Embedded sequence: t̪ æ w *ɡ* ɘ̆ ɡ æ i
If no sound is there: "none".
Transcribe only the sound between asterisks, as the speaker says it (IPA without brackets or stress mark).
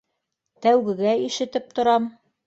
ɡ